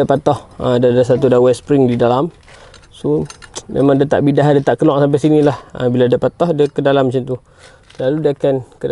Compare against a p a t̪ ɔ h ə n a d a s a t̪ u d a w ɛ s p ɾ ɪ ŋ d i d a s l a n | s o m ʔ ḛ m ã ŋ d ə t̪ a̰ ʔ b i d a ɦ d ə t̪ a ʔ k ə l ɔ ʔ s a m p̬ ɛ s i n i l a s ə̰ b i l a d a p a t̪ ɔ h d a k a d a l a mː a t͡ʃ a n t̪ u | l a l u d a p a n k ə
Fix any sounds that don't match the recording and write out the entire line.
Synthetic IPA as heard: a p a t̪ ɔ h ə d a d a s a t̪ u d a w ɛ s p ɾ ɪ ŋ d i d a l a m | s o m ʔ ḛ m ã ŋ d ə t̪ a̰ ʔ b i d a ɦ d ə t̪ a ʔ k ə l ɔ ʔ s a m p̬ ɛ s i n i l a h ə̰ b i l a d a p a t̪ ɔ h d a k ə d a l a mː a t͡ʃ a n t̪ u | l a l u d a k a n k ə